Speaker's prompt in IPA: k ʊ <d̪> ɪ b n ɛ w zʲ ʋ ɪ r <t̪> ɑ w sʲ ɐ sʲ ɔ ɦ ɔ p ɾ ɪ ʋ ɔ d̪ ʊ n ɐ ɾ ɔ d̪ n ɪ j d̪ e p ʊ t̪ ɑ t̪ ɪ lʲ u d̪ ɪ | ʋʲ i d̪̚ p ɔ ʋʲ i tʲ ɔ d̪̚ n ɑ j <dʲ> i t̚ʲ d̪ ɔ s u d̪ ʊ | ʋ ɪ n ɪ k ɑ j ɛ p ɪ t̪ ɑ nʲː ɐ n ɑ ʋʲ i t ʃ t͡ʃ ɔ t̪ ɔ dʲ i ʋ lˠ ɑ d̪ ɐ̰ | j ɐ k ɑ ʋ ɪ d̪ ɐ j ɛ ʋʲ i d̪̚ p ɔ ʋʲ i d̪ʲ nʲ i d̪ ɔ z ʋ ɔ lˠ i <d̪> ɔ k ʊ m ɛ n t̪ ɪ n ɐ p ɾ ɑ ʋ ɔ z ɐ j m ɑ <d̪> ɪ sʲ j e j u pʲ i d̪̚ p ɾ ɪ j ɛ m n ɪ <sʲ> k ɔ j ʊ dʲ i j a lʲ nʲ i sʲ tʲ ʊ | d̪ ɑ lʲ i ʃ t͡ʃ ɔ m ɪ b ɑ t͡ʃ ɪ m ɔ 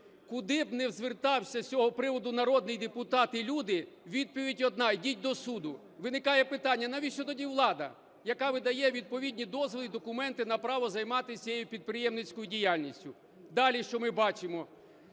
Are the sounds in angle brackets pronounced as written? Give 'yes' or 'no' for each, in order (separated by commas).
yes, yes, yes, yes, no, no